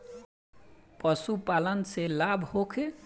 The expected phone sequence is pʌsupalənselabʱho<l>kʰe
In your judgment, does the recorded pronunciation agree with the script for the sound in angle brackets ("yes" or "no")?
no